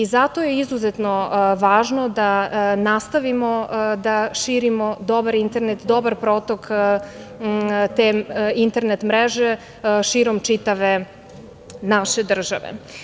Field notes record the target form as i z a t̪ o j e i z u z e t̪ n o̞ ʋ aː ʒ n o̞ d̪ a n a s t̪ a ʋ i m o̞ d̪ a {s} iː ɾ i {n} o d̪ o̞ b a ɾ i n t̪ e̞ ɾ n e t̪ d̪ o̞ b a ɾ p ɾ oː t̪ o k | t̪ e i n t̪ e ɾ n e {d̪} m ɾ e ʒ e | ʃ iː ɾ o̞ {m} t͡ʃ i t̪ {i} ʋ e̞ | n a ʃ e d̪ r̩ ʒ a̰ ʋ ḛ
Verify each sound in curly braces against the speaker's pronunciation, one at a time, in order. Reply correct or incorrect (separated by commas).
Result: incorrect, incorrect, incorrect, correct, incorrect